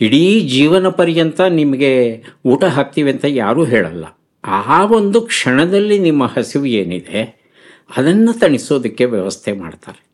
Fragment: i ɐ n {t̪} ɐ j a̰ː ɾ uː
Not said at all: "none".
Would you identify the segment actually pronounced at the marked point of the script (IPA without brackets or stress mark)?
t̪